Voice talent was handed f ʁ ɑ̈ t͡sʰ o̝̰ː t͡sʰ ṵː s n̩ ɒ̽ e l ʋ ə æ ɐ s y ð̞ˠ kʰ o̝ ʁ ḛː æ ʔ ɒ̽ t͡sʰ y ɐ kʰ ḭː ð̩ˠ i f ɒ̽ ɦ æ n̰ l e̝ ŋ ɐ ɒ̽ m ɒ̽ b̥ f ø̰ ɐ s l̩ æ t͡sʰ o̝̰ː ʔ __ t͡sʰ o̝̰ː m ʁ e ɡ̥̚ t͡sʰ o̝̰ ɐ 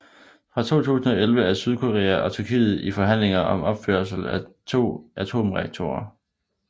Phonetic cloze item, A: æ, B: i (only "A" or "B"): A